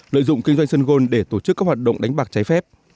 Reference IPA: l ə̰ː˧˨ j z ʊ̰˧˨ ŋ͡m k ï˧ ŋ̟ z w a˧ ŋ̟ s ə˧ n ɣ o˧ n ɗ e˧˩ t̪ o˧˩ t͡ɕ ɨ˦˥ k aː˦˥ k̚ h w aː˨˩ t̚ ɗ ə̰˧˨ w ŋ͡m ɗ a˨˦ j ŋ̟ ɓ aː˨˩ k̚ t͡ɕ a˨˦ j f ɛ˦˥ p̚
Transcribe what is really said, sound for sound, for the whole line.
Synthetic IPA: l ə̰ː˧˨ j z ʊ̰˧˨ ŋ͡m k ï˧ ŋ̟ z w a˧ ŋ̟ s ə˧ n ɣ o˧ n ɗ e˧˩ t̪ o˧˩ t͡ɕ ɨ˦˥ k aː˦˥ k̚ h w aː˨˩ t̚ ɗ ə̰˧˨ w ŋ͡m ɗ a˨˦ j ŋ̟ ɓ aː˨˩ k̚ t͡ɕ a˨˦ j f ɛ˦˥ p̚